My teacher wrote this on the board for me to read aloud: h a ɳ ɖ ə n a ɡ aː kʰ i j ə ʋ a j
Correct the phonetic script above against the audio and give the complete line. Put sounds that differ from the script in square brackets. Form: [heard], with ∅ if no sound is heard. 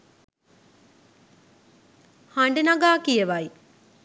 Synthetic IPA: h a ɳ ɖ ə n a ɡ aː [k] i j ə ʋ a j